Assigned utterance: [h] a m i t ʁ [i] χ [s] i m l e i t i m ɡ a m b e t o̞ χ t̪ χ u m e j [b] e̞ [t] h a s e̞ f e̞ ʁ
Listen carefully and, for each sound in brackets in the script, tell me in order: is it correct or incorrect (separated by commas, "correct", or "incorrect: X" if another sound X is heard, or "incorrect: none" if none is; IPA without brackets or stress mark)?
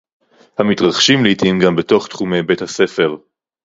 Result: correct, incorrect: a, incorrect: ʃ, correct, correct